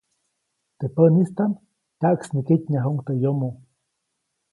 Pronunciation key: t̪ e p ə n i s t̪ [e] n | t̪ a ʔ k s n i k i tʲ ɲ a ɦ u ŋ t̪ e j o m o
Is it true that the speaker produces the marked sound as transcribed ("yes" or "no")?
no